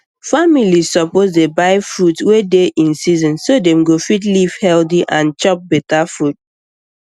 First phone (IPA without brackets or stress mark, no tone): f